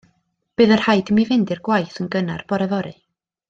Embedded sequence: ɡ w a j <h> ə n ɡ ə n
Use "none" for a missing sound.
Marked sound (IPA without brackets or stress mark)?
θ